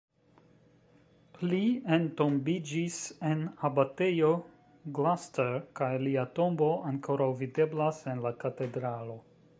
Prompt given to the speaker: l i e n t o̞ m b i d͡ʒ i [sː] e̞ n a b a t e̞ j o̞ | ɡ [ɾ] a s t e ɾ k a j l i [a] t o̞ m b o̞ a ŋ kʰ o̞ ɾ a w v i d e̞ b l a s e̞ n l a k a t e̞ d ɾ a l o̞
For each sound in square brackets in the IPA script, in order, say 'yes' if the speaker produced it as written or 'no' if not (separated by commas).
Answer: no, no, yes